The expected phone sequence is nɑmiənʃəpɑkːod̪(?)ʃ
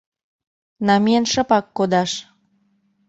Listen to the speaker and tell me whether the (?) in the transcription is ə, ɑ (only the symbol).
ɑ